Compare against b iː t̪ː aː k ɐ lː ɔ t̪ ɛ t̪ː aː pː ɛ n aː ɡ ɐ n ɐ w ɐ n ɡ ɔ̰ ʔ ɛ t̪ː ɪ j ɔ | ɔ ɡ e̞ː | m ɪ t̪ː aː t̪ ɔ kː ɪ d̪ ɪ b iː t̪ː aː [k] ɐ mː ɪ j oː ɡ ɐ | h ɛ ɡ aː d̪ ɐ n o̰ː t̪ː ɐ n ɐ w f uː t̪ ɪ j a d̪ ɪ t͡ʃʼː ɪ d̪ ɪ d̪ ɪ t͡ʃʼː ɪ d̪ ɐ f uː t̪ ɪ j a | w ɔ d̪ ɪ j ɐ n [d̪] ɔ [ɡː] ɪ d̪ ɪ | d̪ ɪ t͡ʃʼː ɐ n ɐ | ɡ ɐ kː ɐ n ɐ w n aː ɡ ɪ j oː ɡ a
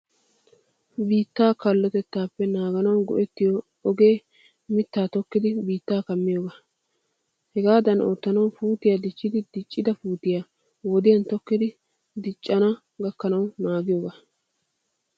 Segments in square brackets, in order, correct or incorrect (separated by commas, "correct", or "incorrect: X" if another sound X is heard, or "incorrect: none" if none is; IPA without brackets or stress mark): correct, incorrect: t̪, incorrect: kː